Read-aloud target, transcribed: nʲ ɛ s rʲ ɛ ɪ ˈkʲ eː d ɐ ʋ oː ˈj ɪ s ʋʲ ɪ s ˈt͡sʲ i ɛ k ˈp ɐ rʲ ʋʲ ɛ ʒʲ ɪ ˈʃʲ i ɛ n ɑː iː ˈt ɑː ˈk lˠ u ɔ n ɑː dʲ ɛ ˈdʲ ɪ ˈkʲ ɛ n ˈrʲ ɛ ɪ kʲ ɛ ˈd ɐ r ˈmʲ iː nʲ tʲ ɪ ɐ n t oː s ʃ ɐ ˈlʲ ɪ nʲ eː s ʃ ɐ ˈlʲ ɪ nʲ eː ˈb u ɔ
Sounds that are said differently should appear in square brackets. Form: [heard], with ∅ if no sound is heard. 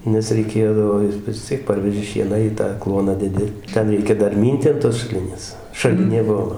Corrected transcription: nʲ ɛ s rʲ ɛ ɪ ˈkʲ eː d ɐ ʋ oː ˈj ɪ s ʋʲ ɪ s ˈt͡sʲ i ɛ k ˈp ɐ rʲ ʋʲ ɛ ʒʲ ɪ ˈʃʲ i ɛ n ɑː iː ˈt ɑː ˈk lˠ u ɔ n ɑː dʲ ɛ ˈdʲ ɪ [ˈtʲ] ɛ n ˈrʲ ɛ ɪ kʲ ɛ ˈd ɐ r ˈmʲ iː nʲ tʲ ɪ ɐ n t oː s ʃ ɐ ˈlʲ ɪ nʲ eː s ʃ ɐ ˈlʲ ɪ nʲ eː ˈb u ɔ